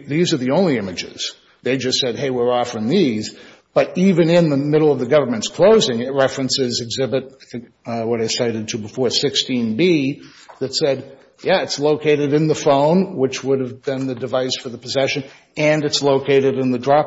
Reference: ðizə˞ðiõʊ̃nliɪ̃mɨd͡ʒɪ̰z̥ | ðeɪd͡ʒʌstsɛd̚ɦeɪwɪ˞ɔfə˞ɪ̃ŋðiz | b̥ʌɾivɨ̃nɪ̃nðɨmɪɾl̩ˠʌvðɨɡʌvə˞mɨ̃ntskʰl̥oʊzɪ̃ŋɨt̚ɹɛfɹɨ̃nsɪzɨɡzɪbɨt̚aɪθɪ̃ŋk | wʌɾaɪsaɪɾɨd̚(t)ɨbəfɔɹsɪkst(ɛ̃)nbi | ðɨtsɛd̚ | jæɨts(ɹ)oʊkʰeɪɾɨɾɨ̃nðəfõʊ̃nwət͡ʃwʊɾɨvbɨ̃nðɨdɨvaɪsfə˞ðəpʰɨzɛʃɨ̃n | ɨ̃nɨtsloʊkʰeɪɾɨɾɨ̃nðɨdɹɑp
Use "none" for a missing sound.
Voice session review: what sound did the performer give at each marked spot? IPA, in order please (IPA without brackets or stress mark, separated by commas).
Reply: tʰ, ĩ, l